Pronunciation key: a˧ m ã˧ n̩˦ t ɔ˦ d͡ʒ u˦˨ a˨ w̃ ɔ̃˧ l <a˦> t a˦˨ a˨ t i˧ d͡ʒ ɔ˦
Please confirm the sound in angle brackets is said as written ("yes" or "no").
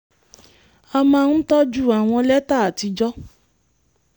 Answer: no